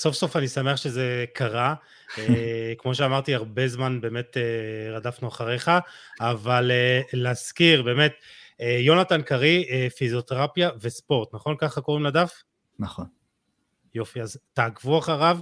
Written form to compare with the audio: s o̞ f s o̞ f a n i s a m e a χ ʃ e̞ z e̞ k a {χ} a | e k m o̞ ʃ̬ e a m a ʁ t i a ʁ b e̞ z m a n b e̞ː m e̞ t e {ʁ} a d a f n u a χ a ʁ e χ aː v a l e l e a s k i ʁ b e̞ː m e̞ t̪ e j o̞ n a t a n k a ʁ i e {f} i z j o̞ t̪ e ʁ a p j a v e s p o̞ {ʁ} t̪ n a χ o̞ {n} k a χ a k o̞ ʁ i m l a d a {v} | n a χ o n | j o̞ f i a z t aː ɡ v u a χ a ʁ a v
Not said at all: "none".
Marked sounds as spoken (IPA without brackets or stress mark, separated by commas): ʁ, ʁ, f, ʁ, n, f